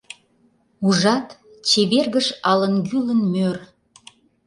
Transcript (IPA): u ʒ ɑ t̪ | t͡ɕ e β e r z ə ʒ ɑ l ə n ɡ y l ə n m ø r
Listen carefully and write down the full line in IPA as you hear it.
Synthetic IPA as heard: u ʒ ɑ t̪ | t͡ɕ e β e r ɣ ə ʃ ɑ l ə n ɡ y l ə n m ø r